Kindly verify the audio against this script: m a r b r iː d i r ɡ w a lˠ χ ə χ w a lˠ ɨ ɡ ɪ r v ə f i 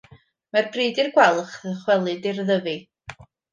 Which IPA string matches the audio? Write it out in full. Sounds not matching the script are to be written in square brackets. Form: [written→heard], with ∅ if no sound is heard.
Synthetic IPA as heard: m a r b r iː d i r ɡ w [a→ɛ] lˠ χ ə χ w [a→ɛ] lˠ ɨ [ɡ→d] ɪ r [v→ð] ə [f→v] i